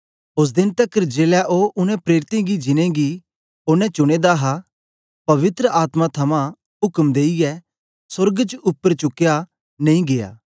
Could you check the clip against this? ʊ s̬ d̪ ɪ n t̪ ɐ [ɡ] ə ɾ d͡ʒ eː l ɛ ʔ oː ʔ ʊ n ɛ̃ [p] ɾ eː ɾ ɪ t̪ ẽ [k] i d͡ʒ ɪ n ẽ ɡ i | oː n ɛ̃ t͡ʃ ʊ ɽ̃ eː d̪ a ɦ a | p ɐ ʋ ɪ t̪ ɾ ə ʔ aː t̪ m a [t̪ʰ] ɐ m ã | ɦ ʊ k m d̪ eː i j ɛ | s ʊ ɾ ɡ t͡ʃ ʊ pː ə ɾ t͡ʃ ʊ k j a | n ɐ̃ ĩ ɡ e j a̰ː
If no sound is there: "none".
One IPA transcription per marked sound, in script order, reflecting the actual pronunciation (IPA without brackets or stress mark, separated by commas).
k, p, ɡ, t̪ʰ